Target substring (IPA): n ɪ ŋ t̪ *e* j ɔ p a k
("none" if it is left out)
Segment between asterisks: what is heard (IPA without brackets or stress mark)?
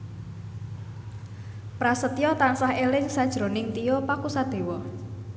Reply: i